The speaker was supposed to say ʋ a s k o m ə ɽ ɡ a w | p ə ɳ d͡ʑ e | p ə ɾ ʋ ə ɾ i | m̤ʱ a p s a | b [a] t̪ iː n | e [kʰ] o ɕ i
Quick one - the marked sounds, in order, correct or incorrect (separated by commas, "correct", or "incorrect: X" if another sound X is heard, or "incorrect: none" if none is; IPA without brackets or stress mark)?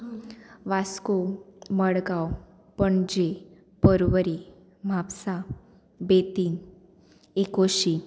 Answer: incorrect: e, incorrect: k